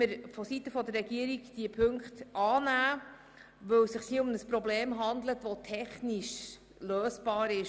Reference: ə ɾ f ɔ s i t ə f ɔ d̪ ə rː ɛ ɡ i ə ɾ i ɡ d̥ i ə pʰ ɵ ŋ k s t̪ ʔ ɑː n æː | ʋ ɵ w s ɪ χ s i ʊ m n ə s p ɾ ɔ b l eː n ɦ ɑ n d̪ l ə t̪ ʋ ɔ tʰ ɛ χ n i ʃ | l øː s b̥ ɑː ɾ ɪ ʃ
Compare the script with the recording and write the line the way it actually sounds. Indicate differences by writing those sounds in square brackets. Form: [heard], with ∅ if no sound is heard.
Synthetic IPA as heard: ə ɾ f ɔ s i t ə f ɔ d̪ ə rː ɛ ɡ i ə ɾ i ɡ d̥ i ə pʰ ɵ ŋ k [χ] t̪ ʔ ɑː n æː | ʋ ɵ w s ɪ χ s i ʊ m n ə s p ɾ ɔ b l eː [m] ɦ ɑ n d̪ l ə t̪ ʋ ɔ tʰ ɛ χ n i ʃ | l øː s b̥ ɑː ɾ ɪ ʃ